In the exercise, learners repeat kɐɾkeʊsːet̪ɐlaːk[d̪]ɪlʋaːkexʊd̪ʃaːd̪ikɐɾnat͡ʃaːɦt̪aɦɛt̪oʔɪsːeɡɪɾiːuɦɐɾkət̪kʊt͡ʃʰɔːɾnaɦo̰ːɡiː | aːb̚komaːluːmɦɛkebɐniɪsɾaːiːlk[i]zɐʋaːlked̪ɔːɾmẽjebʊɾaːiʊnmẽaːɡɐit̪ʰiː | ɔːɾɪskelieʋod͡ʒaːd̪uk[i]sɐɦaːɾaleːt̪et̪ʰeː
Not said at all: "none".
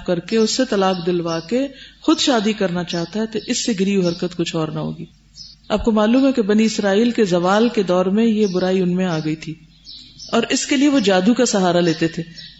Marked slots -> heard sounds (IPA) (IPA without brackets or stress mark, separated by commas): d̪, e, a